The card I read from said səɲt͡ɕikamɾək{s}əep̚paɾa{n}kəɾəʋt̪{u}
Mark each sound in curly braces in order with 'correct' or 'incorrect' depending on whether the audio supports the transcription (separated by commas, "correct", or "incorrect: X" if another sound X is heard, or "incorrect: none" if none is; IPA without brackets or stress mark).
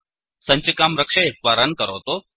incorrect: ʂ, correct, incorrect: o